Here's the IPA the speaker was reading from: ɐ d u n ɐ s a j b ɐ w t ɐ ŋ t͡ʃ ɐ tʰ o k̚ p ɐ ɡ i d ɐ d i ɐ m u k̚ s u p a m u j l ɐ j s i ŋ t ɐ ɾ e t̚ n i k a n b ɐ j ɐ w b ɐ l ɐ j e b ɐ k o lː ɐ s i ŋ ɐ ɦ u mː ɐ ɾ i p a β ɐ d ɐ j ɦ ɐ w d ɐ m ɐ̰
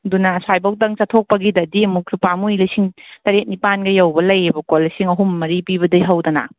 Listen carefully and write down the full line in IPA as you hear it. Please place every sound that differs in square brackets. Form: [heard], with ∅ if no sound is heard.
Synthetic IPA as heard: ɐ d u n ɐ s a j b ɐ w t ɐ ŋ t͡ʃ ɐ tʰ o k̚ p ɐ ɡ i d ɐ d i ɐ m u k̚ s u p a m u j l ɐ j s i ŋ t ɐ ɾ e t̚ n i [p] a n [ɡ] ɐ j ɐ w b ɐ l ɐ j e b ɐ k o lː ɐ s i ŋ ɐ ɦ u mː ɐ ɾ i p [i] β ɐ d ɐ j ɦ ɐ w d ɐ [n] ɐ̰